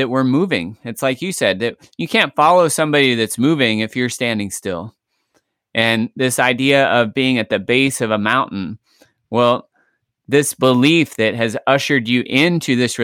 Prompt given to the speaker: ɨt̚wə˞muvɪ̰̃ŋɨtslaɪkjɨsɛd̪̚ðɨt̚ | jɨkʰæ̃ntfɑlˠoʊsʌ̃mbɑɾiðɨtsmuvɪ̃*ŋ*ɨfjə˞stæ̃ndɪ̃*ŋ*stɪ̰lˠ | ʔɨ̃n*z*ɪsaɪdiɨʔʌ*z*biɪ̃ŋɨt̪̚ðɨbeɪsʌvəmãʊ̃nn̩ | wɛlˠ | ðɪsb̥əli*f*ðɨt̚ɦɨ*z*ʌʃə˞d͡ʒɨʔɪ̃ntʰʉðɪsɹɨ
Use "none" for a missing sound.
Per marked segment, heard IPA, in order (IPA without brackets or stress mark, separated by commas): ŋ, ŋ, ð, v, f, z